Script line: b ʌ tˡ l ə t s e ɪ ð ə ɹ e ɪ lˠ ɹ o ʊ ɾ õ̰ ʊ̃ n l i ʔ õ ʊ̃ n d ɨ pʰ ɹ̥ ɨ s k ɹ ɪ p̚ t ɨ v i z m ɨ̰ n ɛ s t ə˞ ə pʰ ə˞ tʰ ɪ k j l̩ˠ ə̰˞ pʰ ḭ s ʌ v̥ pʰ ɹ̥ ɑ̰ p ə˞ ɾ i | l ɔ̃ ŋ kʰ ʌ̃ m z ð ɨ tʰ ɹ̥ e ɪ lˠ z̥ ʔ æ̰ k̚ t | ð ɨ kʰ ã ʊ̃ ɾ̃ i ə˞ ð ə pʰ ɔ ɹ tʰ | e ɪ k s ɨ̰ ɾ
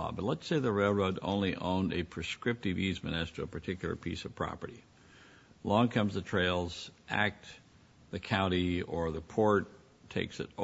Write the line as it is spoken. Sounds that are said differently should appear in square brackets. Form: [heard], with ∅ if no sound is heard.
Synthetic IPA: b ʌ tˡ l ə t s e ɪ ð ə ɹ e ɪ lˠ ɹ o ʊ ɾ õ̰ ʊ̃ n l i ʔ õ ʊ̃ n d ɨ pʰ ɹ̥ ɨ s k ɹ ɪ p̚ t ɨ v i z m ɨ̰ n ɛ s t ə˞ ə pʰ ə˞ tʰ ɪ k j l̩ˠ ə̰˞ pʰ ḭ s ʌ v̥ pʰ ɹ̥ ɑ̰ p ə˞ ɾ i | l ɔ̃ ŋ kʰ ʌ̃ m z ð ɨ tʰ ɹ̥ e ɪ lˠ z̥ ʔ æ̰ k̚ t | ð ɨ kʰ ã ʊ̃ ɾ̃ i ə˞ ð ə pʰ ɔ ɹ tʰ | e ɪ k s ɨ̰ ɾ